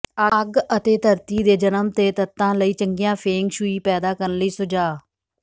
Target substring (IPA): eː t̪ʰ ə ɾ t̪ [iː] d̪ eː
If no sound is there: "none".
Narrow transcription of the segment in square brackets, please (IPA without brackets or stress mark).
iː